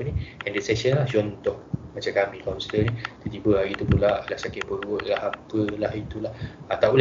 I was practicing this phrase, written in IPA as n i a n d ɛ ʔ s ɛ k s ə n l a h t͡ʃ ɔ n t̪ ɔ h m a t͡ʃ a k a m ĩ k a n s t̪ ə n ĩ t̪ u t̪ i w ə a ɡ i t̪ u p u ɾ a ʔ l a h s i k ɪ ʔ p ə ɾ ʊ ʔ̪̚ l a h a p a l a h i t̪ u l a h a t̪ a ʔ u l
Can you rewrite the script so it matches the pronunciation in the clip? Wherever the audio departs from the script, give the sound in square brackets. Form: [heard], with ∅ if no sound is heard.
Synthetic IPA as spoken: n i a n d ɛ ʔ s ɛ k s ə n l a h t͡ʃ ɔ n t̪ ɔ h m a t͡ʃ a k a m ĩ k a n s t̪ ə n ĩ t̪ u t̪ i [b] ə a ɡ i t̪ u p u [l] a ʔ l a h s [a] k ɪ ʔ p ə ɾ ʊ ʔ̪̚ l a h a p [ə] l a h i t̪ u l a h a t̪ a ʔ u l